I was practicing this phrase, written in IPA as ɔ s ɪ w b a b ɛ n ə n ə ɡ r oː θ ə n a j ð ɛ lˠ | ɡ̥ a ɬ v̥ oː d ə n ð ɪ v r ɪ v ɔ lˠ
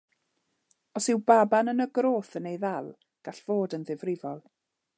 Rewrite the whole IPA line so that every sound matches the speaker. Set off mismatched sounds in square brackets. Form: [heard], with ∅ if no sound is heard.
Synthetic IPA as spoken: ɔ s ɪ w b a b [a] n ə n ə ɡ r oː θ ə n [e] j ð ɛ lˠ | ɡ̥ a ɬ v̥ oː d ə n ð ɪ v r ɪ v ɔ lˠ